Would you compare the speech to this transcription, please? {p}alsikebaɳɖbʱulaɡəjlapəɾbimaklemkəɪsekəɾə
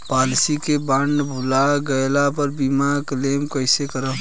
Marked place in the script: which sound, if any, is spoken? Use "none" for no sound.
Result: p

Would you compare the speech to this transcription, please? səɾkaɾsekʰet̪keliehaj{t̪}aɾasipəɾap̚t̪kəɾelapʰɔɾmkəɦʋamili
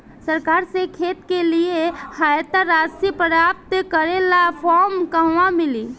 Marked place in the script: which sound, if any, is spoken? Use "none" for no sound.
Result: t̪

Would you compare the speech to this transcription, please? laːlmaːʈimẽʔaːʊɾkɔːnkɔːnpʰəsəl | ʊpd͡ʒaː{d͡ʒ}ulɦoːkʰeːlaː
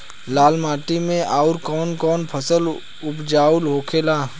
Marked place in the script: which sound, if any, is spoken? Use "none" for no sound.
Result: none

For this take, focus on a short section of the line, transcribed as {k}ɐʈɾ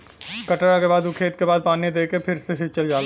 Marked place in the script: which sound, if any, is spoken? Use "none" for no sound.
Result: k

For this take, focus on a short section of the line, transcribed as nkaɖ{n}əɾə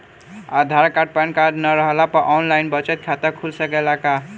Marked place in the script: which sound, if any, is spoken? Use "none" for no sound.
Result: n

